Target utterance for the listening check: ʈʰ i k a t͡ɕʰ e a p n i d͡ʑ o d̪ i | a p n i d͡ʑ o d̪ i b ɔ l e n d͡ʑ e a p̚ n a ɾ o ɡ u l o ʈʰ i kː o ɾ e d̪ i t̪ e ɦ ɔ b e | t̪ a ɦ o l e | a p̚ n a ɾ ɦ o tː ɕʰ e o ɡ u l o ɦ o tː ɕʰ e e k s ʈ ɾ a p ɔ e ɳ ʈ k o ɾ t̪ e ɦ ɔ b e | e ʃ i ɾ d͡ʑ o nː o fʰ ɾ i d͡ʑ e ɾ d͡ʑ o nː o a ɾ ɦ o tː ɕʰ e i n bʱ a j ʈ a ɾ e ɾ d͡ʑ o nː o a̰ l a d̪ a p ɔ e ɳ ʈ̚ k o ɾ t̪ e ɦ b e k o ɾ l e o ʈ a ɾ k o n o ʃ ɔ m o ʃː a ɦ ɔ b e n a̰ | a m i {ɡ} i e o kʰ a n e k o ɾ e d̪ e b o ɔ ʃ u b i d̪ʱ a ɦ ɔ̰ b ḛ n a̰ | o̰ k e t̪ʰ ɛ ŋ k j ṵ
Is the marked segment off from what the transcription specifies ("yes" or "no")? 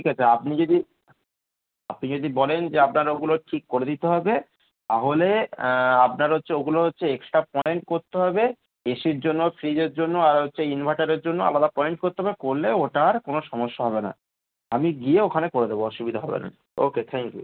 no